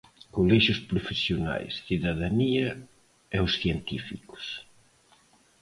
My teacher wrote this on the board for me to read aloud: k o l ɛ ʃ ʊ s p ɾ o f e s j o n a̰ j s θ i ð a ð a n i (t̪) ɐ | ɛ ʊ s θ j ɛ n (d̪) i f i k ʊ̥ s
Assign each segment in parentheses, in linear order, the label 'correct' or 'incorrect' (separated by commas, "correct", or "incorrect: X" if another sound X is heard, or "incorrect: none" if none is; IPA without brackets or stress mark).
incorrect: none, incorrect: t̪